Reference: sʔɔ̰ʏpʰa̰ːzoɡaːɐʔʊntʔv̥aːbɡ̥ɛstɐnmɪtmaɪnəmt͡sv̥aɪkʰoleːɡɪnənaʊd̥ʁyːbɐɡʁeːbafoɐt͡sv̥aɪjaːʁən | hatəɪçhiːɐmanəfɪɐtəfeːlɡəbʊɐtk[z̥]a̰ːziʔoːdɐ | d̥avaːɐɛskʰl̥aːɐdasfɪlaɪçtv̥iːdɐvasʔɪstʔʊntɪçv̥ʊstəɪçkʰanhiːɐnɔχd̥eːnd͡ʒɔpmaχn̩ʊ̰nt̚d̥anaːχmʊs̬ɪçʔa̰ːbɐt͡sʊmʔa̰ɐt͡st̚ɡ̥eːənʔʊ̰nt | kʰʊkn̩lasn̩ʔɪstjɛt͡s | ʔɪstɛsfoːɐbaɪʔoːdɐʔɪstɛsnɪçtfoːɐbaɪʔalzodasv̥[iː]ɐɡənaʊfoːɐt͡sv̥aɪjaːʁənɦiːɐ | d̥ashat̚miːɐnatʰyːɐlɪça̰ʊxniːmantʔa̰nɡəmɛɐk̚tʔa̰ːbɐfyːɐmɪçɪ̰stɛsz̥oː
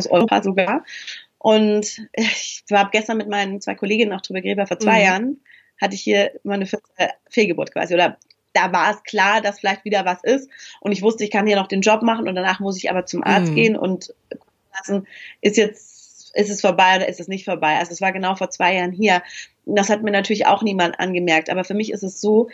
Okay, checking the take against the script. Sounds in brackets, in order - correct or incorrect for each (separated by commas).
incorrect, incorrect